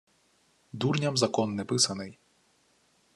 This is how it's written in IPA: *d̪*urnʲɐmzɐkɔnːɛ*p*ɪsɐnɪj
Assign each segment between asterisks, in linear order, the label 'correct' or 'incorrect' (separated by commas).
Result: correct, correct